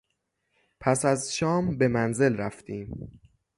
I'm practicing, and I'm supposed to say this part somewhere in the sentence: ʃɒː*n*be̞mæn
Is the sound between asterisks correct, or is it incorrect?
incorrect